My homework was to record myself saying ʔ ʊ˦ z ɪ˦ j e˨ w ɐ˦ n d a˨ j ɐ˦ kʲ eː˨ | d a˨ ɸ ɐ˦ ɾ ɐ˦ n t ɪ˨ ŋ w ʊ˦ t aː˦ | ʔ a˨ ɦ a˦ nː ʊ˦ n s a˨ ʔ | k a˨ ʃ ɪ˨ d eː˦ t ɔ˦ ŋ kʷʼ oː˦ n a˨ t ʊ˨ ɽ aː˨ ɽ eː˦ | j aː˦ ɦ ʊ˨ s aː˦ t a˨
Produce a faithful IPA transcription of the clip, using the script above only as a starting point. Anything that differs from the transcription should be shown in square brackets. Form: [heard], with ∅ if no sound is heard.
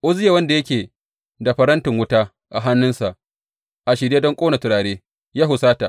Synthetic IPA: ʔ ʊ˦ z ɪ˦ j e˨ w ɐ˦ n d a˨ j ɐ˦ kʲ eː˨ | d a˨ ɸ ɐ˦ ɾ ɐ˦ n t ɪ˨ ŋ w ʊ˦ t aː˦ | ʔ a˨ ɦ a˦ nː ʊ˦ n s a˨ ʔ | [ʔ] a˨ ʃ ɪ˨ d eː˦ [d] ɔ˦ ŋ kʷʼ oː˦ n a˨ t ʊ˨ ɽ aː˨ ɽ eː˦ | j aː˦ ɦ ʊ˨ s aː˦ t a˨